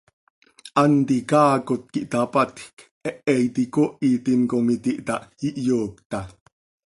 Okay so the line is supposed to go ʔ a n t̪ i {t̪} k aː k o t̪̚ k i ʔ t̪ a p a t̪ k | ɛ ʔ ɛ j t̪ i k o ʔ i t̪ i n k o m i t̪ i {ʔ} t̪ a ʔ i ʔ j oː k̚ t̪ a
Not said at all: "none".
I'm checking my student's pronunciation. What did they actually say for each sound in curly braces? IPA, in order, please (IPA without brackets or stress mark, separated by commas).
none, ʔ